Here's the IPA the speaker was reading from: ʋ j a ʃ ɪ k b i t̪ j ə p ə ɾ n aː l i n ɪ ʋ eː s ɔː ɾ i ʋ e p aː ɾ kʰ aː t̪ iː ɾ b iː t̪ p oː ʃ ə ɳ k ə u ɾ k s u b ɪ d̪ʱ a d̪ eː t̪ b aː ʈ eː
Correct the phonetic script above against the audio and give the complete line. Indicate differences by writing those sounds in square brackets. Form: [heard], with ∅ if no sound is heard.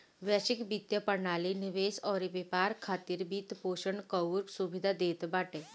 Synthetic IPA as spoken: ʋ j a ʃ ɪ k b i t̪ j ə p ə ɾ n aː l i n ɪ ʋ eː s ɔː ɾ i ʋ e p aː ɾ kʰ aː t̪ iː ɾ b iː t̪ p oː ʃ ə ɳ k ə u ɾ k s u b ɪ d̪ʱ a d̪ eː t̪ b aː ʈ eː